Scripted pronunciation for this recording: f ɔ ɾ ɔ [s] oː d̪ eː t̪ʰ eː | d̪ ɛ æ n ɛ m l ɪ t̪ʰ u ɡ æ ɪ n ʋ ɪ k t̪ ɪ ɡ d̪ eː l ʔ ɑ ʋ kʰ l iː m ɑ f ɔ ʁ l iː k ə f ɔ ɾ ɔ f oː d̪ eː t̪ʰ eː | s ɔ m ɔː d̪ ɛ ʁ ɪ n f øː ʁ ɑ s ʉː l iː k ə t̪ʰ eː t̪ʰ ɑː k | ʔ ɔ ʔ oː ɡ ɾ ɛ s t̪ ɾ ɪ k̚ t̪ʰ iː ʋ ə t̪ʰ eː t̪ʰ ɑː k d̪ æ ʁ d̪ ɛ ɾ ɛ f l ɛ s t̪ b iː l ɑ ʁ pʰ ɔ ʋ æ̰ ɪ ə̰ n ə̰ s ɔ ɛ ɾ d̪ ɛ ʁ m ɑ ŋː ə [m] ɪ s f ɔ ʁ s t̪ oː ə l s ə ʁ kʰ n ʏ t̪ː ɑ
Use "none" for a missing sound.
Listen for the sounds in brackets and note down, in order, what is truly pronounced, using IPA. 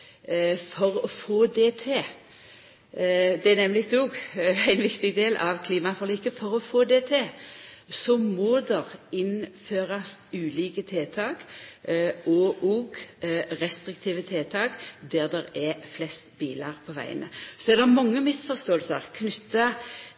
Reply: f, m

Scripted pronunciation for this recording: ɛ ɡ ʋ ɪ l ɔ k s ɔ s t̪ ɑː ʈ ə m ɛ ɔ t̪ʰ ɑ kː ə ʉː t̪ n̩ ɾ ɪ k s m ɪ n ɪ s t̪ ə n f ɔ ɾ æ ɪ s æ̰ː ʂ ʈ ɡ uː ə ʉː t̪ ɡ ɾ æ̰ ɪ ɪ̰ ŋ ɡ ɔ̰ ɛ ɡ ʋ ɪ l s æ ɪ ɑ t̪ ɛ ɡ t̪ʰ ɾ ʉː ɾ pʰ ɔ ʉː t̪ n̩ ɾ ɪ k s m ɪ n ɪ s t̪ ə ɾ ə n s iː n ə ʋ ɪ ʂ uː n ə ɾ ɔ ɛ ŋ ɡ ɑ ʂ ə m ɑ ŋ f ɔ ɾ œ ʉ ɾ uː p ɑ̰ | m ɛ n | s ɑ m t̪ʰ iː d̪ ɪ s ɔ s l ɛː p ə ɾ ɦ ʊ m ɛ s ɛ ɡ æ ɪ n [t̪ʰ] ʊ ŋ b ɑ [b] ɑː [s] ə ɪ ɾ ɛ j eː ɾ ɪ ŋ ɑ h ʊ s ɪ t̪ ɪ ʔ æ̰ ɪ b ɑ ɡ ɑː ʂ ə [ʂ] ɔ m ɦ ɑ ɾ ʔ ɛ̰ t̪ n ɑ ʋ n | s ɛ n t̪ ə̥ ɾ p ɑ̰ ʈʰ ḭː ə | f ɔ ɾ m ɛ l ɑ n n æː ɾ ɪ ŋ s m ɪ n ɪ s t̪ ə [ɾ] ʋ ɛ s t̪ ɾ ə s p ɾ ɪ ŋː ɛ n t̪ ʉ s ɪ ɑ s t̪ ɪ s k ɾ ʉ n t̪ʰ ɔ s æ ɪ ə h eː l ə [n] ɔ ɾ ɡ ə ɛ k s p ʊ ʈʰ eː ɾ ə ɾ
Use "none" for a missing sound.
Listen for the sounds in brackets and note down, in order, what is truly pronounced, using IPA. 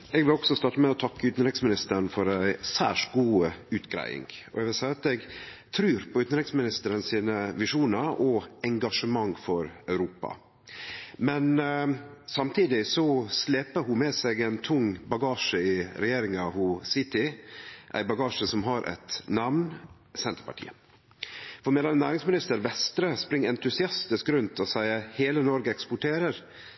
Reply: t̪ʰ, ɡ, ʂ, s, ɾ, n

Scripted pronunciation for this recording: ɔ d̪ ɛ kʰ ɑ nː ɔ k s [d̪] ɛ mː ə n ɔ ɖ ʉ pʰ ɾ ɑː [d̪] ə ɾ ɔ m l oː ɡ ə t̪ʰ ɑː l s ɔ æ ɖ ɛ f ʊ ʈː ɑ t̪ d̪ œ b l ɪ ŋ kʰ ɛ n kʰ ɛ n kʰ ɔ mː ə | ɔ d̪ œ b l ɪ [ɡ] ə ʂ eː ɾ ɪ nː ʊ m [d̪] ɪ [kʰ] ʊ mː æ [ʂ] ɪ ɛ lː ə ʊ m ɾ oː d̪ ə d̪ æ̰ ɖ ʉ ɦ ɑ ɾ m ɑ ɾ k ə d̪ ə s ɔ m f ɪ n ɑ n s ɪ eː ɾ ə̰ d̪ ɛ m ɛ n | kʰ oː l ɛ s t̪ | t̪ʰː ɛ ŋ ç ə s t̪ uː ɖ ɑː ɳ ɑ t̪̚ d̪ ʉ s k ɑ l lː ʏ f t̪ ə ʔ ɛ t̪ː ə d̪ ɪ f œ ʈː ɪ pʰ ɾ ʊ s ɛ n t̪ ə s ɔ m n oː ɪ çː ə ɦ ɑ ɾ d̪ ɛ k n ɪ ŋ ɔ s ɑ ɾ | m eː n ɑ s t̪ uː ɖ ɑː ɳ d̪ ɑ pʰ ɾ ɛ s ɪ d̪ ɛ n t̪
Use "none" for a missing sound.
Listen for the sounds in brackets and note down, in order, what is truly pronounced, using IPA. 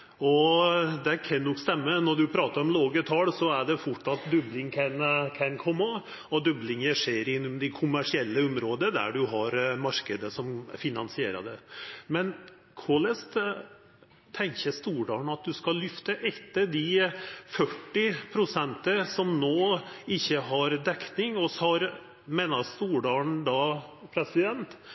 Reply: t̪, t̪, ŋ, d̪, kʰ, ʂ

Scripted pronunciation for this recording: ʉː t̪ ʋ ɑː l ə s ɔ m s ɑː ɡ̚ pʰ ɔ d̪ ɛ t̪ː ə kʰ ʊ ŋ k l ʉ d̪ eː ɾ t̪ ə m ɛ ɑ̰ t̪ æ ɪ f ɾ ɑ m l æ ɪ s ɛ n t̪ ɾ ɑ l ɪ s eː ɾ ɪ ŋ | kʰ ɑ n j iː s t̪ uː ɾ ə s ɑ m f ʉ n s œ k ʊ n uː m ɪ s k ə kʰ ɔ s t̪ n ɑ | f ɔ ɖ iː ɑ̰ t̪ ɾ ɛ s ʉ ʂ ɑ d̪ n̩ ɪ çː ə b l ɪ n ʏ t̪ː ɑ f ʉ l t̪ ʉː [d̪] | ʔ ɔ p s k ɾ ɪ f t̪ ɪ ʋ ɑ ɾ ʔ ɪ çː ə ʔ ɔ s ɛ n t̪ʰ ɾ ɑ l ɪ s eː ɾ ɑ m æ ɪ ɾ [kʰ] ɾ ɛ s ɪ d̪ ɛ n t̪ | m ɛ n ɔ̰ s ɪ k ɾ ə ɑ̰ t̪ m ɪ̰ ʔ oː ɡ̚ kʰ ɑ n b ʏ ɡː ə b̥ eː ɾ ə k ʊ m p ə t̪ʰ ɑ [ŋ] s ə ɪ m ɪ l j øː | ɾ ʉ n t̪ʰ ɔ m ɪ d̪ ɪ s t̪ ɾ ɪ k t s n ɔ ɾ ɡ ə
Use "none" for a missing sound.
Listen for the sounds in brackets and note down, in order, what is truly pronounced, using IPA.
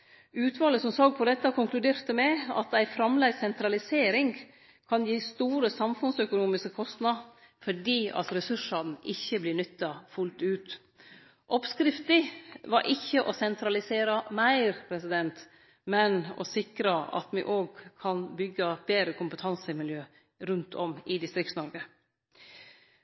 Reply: t̪, pʰ, n

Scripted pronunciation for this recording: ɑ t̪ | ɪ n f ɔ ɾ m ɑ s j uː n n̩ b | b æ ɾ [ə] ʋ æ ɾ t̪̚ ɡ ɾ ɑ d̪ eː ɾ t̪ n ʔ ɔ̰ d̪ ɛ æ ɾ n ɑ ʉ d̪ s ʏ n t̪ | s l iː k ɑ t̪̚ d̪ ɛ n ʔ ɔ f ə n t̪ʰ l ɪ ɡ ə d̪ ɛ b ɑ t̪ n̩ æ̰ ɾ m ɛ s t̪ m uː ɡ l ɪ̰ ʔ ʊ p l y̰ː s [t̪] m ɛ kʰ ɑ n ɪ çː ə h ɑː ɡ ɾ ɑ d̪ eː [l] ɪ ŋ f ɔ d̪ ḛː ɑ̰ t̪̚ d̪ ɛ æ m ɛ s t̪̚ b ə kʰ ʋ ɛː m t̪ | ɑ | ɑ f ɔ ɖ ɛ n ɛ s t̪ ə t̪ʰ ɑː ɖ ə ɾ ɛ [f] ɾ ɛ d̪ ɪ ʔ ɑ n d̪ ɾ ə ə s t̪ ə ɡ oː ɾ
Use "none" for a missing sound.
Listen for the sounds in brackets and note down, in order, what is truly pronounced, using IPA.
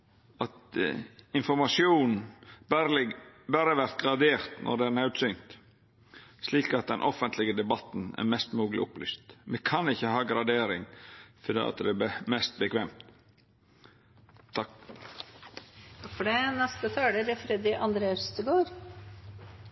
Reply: ə, t̪, ɾ, f

